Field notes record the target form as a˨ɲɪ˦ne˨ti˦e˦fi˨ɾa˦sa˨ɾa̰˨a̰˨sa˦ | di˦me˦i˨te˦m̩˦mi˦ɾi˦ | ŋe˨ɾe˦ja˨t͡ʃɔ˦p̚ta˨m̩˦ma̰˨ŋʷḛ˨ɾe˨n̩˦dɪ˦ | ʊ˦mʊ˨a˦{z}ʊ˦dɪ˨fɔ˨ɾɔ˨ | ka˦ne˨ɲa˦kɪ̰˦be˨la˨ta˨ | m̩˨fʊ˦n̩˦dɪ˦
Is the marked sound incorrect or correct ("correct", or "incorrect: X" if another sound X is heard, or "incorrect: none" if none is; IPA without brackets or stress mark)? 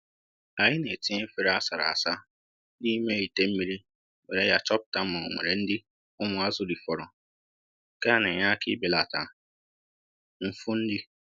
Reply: correct